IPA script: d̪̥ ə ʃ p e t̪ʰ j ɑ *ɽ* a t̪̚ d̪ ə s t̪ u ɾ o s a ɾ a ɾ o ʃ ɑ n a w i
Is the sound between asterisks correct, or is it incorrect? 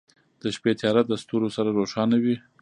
incorrect